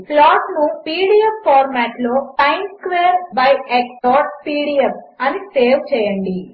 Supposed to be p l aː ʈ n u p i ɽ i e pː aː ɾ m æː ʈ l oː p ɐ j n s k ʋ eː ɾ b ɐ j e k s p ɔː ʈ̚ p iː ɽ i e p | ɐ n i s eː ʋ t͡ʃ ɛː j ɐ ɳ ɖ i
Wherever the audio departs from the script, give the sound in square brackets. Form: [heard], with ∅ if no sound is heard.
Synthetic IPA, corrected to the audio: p l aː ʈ n u p [iː] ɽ i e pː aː ɾ m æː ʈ l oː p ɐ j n s k ʋ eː ɾ b ɐ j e k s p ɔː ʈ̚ p iː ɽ i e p | ɐ n i s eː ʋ t͡ʃ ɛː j ɐ ɳ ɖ i